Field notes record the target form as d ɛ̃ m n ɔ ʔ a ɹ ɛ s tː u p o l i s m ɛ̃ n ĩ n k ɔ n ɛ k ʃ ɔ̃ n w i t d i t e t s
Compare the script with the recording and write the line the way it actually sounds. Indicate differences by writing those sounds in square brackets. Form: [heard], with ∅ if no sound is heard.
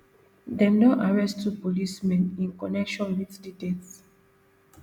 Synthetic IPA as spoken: d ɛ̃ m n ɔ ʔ a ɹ ɛ s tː u p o l i s m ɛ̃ n ĩ n k ɔ n ɛ k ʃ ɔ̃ n w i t d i t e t s